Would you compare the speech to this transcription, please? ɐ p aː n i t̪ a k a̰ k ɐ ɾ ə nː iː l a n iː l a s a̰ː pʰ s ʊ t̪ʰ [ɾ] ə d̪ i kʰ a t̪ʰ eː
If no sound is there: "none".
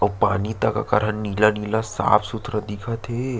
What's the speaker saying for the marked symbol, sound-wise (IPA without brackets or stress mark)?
ɾ